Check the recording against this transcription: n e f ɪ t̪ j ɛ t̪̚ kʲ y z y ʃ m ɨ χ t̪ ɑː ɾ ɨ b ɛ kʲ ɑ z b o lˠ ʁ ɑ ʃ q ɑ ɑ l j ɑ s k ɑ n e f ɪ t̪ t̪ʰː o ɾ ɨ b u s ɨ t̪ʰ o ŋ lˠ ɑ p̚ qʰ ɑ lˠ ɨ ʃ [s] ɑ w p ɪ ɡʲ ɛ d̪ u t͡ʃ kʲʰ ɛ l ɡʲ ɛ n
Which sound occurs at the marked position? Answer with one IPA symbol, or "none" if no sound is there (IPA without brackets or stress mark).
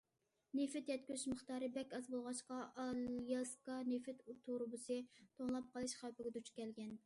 χ